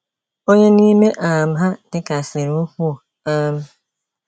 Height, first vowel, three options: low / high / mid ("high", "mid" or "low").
mid